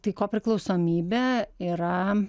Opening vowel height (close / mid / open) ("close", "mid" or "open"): open